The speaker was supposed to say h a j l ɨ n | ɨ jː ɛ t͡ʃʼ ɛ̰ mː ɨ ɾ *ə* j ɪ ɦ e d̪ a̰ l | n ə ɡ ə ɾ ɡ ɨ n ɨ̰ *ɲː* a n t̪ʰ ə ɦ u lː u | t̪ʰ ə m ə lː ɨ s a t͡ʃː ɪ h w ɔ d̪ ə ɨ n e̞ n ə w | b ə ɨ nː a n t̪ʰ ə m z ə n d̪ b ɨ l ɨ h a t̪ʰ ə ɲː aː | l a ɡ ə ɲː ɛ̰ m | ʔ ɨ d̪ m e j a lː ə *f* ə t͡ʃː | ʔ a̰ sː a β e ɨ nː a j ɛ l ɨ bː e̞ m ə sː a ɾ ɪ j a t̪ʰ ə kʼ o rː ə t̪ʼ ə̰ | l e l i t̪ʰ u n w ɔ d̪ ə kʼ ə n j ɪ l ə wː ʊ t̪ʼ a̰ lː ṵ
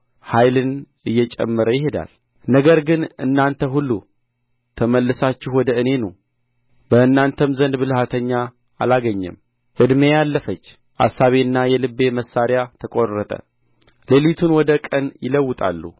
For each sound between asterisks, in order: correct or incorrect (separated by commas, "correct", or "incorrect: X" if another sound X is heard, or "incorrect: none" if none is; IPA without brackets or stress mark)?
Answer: correct, incorrect: nː, correct